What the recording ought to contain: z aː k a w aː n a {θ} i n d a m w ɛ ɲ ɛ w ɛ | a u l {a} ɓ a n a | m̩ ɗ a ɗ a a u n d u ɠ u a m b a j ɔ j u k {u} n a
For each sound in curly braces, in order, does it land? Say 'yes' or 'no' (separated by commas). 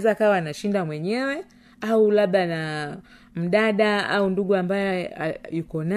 no, yes, no